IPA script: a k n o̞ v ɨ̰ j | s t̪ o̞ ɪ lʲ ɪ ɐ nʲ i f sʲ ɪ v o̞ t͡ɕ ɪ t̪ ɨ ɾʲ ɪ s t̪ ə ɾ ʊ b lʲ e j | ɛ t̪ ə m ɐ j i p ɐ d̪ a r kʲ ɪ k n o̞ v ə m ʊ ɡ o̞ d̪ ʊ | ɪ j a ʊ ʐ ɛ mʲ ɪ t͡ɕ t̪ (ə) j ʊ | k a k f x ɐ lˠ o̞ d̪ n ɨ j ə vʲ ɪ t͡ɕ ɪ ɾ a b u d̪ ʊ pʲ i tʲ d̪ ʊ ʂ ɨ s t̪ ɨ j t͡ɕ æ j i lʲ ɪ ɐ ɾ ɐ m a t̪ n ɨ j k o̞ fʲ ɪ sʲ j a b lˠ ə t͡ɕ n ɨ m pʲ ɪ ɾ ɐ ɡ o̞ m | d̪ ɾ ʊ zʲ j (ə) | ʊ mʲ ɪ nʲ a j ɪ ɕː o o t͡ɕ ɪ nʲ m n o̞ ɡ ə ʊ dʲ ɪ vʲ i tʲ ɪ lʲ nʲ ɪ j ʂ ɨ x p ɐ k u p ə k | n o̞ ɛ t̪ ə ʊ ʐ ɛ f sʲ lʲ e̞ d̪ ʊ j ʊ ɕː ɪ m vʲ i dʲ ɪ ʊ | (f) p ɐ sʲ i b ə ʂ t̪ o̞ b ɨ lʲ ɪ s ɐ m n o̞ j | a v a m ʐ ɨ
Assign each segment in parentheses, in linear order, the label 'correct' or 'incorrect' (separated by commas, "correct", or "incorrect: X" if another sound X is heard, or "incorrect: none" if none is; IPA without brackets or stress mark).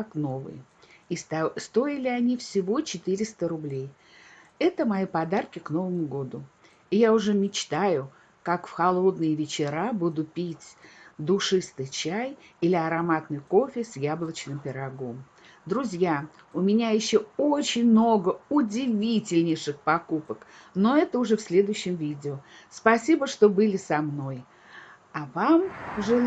incorrect: a, incorrect: a, incorrect: s